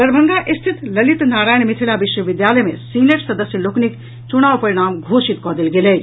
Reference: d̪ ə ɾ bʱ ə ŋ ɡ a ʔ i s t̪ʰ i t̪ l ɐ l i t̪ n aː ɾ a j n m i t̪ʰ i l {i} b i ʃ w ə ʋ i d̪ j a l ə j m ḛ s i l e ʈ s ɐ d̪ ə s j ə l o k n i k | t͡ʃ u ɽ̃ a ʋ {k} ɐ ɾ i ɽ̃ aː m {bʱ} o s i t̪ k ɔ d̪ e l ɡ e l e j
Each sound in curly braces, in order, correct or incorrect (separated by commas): incorrect, incorrect, incorrect